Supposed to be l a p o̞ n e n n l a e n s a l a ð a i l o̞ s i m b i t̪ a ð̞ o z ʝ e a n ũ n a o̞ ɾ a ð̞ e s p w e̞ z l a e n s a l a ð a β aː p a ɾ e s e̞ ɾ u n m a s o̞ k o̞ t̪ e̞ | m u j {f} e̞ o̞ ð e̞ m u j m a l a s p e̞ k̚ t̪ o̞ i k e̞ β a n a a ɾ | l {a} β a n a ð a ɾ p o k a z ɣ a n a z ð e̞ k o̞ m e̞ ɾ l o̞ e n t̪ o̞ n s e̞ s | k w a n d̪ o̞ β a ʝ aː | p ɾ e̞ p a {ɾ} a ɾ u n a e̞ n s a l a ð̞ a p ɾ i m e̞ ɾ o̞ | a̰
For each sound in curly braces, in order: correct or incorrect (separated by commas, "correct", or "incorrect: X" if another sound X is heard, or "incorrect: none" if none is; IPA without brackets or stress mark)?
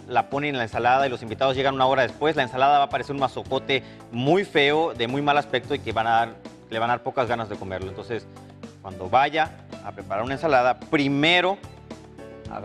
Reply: correct, incorrect: e, correct